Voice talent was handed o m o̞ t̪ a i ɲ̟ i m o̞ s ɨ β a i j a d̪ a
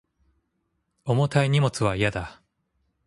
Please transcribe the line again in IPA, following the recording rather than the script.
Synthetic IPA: o m o̞ t̪ a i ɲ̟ i m o̞ t͡s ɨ β a i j a d̪ a